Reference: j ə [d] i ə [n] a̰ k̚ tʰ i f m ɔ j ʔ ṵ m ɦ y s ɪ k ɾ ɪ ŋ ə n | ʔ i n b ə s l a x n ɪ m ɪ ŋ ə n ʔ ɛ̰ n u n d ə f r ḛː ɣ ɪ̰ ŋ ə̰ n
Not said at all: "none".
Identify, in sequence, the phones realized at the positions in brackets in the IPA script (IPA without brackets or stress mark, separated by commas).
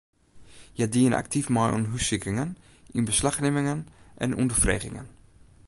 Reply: d, n